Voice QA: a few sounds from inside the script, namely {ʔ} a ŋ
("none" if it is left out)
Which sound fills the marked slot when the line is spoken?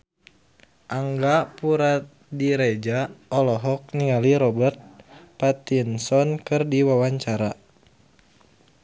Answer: ʔ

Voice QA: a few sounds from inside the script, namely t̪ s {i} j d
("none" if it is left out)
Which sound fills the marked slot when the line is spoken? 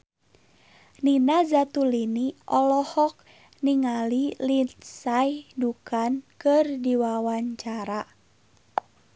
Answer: a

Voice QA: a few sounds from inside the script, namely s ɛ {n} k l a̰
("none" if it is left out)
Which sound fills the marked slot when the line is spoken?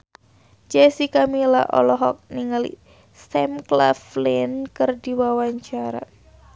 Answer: m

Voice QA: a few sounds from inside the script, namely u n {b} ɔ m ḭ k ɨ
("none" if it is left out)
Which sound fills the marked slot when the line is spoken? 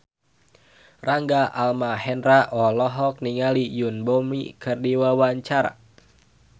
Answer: b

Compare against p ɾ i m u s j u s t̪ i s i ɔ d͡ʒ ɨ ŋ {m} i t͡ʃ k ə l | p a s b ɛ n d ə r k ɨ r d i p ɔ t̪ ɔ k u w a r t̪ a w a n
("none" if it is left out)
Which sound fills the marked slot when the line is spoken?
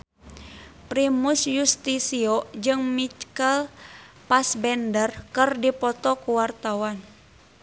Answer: m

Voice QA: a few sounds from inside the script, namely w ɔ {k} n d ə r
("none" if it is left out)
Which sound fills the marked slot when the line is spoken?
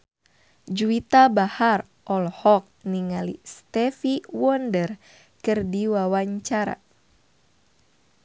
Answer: none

